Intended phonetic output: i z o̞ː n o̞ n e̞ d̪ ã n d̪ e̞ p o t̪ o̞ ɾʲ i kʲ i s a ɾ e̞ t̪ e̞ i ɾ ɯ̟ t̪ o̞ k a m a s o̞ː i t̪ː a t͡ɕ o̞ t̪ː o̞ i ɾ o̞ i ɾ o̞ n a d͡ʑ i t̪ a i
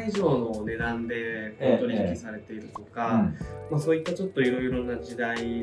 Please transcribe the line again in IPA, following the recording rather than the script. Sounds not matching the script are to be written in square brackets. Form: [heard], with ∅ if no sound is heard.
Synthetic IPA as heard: i [ʑ] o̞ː n o̞ n e̞ d̪ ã n d̪ e̞ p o t̪ o̞ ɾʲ i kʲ i s a ɾ e̞ t̪ e̞ i ɾ ɯ̟ t̪ o̞ k a m a s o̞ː i t̪ː a t͡ɕ o̞ t̪ː o̞ i ɾ o̞ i ɾ o̞ n a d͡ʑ i [d̪] a i